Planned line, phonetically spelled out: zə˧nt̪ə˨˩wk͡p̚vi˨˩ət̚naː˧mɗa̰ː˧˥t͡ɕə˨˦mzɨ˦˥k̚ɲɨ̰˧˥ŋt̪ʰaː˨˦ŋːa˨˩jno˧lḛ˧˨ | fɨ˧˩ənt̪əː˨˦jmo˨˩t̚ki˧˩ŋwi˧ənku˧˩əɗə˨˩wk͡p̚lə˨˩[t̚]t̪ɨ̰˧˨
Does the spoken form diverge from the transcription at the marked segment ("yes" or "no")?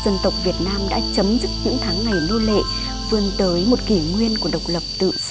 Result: yes